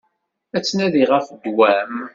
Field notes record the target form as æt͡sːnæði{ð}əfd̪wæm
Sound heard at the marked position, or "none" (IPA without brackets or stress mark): ʁ